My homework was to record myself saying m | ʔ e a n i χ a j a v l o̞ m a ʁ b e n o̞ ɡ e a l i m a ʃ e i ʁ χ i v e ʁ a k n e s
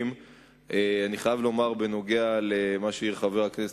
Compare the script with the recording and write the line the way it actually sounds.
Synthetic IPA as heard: m | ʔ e a n i χ a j a v l o̞ m a ʁ b e n o̞ ɡ e a l e m a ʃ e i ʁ χ a v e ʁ a k n e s